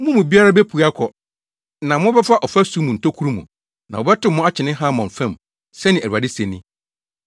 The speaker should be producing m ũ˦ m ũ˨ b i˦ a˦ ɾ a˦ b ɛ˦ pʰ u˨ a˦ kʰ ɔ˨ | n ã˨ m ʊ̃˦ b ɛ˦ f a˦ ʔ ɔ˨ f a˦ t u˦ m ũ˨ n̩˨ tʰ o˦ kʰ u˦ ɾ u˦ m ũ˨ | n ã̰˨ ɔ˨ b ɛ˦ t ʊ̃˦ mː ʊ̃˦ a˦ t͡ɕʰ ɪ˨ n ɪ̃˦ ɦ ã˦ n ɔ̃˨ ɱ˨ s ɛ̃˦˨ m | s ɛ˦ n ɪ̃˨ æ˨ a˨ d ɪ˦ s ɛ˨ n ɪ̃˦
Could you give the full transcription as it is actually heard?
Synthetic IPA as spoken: m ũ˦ m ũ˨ b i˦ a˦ ɾ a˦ b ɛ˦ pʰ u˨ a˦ kʰ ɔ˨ | n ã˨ m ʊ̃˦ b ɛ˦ f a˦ ʔ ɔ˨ f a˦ s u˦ m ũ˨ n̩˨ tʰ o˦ kʰ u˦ ɾ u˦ m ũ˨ | n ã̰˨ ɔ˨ b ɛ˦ t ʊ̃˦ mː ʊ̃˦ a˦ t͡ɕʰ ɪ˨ n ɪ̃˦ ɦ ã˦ m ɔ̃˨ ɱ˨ f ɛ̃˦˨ m | s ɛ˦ n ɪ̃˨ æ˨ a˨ d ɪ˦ s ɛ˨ n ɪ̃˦